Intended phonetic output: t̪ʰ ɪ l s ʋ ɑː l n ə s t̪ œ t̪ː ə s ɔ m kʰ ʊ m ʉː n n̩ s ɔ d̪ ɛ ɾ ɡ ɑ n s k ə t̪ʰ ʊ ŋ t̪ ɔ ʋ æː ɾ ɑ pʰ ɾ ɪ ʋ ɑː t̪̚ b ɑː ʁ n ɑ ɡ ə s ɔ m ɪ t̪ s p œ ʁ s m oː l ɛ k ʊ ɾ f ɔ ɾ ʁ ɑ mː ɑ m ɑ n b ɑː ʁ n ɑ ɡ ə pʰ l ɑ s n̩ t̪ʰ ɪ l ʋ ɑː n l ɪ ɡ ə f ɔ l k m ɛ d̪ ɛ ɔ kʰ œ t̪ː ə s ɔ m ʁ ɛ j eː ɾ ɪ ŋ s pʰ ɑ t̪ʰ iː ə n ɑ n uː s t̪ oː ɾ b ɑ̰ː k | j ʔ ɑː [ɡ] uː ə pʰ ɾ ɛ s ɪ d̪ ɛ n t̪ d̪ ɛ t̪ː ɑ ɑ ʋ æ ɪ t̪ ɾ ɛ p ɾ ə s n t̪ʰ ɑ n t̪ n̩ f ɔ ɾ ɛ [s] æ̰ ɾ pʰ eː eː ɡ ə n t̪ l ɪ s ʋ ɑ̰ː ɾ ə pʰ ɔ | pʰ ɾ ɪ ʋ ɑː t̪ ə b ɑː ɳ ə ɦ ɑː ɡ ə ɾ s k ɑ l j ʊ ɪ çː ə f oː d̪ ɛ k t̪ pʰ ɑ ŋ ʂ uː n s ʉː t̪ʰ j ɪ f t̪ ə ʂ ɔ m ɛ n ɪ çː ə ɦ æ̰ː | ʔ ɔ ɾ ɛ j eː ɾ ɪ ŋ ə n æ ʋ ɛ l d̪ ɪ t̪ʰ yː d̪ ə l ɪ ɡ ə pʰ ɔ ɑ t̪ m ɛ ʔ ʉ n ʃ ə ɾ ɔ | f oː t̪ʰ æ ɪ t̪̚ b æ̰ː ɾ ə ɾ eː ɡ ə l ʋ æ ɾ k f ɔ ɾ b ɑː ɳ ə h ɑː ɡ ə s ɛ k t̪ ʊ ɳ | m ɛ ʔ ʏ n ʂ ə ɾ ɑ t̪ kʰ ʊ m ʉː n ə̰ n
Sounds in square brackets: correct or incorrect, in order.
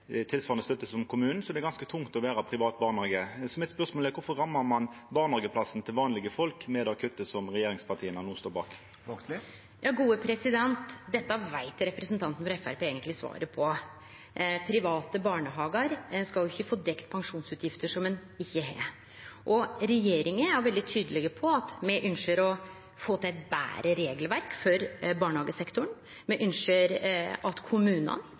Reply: correct, incorrect: f

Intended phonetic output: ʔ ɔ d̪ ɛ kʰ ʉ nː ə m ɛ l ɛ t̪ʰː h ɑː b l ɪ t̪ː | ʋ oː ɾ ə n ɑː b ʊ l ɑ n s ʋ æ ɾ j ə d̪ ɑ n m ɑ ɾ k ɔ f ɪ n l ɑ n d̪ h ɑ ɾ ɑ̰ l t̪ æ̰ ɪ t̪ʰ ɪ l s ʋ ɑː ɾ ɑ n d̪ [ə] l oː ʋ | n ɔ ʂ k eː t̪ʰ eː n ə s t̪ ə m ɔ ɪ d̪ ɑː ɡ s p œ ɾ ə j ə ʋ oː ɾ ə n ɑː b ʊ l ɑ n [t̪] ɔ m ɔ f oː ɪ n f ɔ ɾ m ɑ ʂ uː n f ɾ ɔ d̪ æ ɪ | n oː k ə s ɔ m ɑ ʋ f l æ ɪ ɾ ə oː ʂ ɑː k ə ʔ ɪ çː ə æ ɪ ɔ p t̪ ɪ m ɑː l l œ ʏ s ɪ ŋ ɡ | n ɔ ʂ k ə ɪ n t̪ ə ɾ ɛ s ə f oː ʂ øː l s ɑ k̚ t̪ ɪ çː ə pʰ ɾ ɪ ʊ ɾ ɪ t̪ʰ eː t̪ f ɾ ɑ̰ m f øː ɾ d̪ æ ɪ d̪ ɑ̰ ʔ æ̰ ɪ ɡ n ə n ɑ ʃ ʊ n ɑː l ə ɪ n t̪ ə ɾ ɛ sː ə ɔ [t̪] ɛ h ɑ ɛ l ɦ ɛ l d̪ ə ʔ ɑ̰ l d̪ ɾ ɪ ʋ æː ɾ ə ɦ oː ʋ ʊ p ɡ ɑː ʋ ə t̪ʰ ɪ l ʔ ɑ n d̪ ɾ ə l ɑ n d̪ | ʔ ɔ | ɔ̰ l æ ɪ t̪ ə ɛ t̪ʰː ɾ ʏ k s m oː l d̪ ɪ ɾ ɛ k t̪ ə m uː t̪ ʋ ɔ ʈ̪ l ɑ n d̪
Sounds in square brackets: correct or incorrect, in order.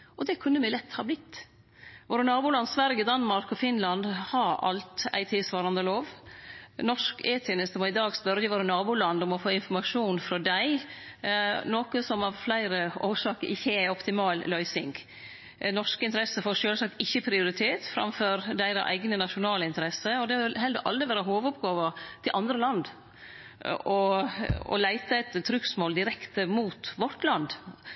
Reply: correct, incorrect: d̪, incorrect: d̪

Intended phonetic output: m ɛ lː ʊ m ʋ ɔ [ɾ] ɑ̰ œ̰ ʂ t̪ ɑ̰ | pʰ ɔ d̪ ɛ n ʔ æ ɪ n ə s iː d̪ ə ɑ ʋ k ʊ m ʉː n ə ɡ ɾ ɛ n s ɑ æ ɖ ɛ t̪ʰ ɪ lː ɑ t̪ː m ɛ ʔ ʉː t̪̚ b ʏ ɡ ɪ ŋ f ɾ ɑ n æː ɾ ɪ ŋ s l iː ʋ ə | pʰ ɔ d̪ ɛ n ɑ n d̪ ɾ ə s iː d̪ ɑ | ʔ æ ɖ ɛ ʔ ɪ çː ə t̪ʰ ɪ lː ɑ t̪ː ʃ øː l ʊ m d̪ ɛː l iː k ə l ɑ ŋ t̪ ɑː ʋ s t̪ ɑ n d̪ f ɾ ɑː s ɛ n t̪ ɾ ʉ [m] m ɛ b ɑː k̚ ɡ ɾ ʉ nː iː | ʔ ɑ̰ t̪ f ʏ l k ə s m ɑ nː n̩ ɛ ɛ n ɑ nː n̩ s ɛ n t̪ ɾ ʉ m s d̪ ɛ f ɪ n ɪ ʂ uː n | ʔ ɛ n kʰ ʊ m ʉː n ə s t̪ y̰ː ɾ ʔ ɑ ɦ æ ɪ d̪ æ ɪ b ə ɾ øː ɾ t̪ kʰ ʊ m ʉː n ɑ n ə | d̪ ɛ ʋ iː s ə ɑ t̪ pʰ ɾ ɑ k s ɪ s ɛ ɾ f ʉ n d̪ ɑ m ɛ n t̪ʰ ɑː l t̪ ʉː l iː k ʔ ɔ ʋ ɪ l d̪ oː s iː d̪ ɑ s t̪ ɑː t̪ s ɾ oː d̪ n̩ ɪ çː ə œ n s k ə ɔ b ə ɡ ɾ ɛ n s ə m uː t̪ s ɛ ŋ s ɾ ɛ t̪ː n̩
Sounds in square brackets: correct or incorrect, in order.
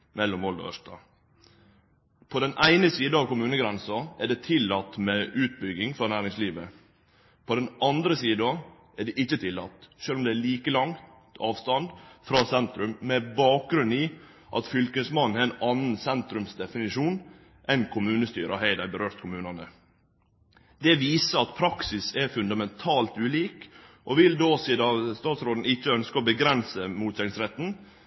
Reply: incorrect: l, correct

